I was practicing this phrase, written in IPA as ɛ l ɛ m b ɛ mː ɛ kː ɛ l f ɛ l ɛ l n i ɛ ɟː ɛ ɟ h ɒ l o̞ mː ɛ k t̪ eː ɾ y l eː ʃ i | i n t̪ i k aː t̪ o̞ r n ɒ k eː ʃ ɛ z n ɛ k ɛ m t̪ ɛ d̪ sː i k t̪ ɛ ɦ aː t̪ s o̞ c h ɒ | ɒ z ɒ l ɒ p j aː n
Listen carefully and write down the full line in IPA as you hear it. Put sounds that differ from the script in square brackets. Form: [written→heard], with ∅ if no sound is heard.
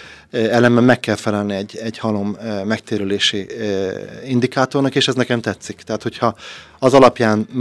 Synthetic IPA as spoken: ɛ l ɛ m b ɛ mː ɛ kː ɛ l f ɛ l ɛ l n i ɛ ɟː ɛ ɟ h ɒ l o̞ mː ɛ k t̪ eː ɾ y l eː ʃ i | i n [t̪→d̪] i k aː t̪ o̞ r n ɒ k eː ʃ ɛ z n ɛ k ɛ m t̪ ɛ [d̪→t̪] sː i k t̪ ɛ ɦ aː t̪ [s→h] o̞ c h ɒ | ɒ z ɒ l ɒ p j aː n